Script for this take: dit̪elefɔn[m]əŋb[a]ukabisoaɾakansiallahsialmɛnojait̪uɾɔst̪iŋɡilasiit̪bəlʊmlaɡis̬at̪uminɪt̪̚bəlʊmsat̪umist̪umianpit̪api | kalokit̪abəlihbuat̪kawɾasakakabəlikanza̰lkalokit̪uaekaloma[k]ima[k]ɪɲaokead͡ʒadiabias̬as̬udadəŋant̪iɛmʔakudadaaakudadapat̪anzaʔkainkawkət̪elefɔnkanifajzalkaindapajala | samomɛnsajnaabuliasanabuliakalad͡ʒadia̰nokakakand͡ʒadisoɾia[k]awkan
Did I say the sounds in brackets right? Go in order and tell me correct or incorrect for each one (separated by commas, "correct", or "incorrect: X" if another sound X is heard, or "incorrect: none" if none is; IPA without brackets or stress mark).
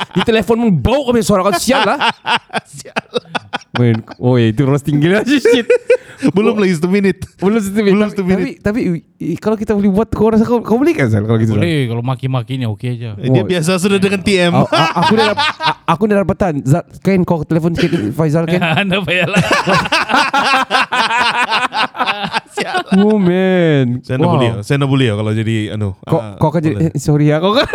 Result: correct, correct, correct, correct, correct